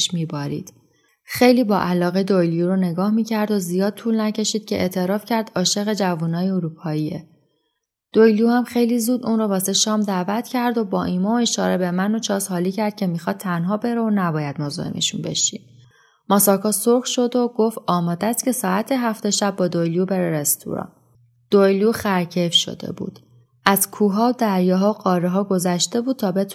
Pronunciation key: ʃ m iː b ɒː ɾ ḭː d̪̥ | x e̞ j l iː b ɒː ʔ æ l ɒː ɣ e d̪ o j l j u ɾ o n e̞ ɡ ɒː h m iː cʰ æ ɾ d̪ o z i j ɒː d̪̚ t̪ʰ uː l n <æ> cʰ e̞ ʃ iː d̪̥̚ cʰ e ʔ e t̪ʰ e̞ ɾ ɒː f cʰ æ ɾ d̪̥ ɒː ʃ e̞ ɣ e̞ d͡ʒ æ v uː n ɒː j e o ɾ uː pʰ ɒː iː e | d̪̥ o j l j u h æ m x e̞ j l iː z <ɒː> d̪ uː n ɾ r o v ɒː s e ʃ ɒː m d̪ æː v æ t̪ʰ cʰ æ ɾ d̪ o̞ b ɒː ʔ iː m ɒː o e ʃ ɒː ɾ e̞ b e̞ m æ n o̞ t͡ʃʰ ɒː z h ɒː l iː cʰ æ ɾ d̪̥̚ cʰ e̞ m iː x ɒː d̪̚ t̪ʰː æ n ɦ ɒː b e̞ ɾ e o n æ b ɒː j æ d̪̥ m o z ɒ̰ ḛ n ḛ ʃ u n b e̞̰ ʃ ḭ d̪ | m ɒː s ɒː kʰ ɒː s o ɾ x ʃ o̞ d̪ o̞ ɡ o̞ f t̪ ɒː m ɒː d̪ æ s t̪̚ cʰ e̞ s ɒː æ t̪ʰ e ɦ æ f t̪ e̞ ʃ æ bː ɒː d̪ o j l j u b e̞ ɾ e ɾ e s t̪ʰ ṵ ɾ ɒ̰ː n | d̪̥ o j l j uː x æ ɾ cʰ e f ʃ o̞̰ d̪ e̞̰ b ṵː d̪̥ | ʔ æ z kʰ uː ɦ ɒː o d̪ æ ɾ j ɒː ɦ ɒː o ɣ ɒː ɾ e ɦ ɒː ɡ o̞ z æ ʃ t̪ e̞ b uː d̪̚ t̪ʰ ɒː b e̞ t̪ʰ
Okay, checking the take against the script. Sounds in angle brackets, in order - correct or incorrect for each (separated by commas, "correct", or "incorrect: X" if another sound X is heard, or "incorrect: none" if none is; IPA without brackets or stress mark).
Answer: correct, incorrect: uː